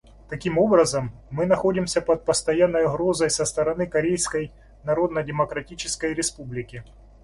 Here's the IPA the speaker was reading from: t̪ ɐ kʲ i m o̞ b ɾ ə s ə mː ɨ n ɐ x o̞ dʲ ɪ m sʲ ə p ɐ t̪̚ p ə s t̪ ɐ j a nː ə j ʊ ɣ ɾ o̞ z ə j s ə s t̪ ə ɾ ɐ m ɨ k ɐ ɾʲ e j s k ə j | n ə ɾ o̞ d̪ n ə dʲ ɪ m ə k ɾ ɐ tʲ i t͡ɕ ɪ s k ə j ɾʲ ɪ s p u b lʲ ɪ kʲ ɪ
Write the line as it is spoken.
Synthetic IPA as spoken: t̪ ɐ kʲ i m o̞ b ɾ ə z ə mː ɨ n ɐ x o̞ dʲ ɪ m sʲ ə p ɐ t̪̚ p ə s t̪ ɐ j a nː ə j ʊ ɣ ɾ o̞ z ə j s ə s t̪ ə ɾ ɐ n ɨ k ɐ ɾʲ e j s k ə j | n ɐ ɾ o̞ d̪ n ə dʲ ɪ m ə k ɾ ɐ tʲ i t͡ɕ ɪ s k ə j ɾʲ ɪ s p u b lʲ ɪ kʲ ɪ